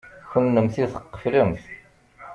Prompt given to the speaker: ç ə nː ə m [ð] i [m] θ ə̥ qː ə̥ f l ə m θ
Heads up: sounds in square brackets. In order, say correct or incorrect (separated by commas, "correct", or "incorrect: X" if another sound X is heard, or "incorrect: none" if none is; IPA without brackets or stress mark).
incorrect: θ, incorrect: none